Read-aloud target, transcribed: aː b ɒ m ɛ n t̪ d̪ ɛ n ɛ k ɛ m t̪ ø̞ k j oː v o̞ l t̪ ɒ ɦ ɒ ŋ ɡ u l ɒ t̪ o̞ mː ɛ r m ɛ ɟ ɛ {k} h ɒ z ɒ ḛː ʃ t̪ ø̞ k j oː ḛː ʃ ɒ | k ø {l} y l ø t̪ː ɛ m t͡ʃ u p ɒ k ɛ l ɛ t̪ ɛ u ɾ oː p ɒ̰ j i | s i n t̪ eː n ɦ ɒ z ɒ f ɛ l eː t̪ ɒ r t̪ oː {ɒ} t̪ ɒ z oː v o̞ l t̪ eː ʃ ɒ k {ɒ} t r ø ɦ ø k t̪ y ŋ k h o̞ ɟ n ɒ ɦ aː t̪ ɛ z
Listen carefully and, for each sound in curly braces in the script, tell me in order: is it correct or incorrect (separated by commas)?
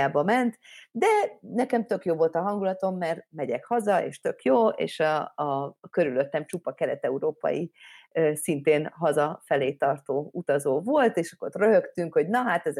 correct, incorrect, incorrect, incorrect